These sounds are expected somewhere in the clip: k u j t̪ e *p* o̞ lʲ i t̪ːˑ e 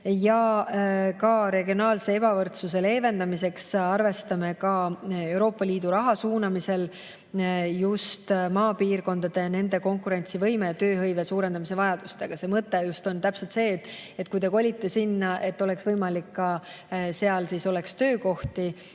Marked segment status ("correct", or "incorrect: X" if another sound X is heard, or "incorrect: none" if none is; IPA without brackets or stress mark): incorrect: k